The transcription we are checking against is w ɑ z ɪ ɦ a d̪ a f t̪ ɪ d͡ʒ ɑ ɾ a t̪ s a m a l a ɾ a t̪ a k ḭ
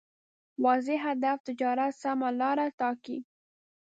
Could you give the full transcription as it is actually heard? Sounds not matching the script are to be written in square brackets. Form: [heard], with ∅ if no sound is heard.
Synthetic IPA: w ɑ z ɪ ɦ a d̪ a f t̪ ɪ d͡ʒ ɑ ɾ a t̪ s a m a l [ɑ] ɾ a t̪ [ɑ] k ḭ